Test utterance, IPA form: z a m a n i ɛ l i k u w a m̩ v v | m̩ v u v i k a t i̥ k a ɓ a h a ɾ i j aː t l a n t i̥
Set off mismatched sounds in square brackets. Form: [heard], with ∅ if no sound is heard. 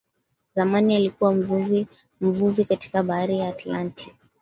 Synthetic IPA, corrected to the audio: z a m a n i [a] l i k u w a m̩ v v | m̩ v u v i k a t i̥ k a ɓ a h a ɾ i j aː t l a n t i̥